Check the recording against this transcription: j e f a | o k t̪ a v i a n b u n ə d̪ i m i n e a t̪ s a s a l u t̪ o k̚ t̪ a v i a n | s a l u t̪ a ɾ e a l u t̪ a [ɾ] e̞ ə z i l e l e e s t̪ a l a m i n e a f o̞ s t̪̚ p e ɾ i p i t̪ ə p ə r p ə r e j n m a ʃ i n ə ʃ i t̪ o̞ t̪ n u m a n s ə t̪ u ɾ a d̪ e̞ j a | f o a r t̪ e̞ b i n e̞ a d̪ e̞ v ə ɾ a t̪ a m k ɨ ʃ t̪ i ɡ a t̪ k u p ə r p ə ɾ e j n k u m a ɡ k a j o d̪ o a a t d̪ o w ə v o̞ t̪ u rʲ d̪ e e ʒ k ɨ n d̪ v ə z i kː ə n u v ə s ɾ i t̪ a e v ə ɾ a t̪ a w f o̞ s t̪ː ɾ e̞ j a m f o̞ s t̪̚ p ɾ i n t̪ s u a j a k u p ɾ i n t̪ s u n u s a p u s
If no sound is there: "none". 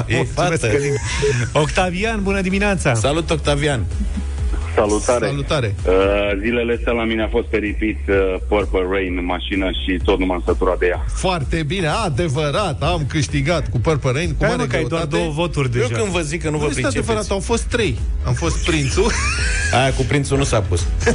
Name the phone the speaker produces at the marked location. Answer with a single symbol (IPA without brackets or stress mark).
ɾ